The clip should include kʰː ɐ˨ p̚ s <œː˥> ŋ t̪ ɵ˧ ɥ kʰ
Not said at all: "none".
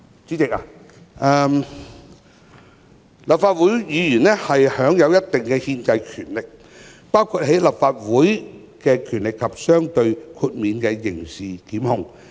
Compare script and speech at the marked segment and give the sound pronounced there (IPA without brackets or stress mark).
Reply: œː˥